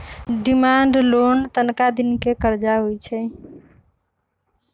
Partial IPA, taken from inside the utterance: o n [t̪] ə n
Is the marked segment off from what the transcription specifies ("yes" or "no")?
no